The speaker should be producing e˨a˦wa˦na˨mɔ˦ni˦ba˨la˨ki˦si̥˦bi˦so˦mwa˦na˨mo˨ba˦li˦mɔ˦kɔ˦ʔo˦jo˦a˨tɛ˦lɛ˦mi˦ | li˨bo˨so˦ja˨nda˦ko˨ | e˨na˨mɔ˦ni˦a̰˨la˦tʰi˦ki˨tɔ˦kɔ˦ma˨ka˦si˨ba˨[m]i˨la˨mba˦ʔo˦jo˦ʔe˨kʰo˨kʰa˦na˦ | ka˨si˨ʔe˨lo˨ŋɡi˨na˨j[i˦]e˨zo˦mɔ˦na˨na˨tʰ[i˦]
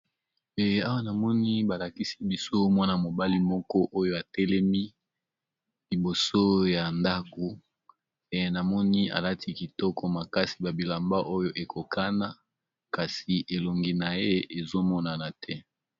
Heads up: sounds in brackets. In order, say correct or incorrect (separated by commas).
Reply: incorrect, incorrect, incorrect